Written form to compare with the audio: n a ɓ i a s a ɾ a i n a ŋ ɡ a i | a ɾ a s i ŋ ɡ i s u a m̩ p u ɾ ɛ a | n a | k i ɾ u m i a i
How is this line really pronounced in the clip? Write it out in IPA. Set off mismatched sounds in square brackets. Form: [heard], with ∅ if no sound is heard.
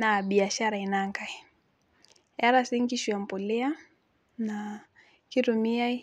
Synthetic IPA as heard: n a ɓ i a [ʃ] a ɾ a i n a ŋ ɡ a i | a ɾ a s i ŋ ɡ i [ʃ] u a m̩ p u [l] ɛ a | n a | k i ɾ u m i a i

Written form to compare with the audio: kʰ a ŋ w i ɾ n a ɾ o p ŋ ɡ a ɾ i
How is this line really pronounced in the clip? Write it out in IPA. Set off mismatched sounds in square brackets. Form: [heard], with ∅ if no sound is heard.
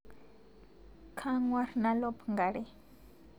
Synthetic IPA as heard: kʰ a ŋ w [a] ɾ n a [l] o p ŋ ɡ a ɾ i

